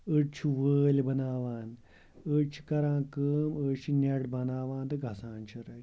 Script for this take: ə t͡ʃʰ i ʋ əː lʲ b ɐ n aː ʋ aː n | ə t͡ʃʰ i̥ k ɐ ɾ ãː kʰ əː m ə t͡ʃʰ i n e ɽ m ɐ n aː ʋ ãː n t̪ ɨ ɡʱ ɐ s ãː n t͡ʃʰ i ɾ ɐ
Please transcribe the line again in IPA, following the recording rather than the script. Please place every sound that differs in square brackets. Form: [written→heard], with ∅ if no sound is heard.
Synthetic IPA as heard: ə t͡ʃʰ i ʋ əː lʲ b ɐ n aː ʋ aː n | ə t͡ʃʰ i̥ k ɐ ɾ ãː [kʰ→k] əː m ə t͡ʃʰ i n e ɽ [m→b] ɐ n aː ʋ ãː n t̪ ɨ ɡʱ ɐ s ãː n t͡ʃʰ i ɾ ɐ